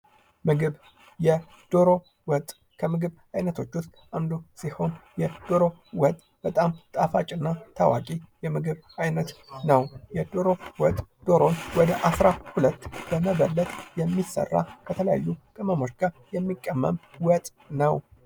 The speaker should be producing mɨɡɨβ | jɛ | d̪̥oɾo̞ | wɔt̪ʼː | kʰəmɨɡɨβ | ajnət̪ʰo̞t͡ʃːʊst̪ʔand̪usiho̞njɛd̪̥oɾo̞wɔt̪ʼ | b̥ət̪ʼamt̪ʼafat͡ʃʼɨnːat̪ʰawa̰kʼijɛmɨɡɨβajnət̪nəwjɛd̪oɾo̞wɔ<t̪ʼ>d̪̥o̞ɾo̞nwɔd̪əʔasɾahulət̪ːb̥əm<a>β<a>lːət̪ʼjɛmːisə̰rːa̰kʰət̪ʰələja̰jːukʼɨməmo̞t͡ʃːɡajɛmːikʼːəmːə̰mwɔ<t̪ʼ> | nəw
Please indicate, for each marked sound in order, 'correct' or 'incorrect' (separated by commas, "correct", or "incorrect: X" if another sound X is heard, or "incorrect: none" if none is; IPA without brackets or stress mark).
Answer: correct, incorrect: ə, incorrect: ə, correct